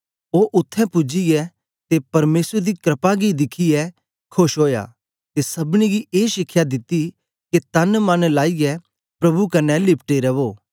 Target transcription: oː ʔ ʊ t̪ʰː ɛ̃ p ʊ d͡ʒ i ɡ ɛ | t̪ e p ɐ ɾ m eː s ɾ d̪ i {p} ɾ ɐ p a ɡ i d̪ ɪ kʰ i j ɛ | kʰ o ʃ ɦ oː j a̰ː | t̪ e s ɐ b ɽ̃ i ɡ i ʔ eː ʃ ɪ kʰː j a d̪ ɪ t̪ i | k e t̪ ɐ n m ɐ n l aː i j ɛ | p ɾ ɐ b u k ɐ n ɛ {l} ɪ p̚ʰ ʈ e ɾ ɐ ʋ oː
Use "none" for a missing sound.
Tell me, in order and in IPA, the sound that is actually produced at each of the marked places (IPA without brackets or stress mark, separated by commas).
k, l